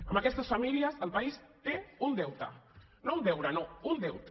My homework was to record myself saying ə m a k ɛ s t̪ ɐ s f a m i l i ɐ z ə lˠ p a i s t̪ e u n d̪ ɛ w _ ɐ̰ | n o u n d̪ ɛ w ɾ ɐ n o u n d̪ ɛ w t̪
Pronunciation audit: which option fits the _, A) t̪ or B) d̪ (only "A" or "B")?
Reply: A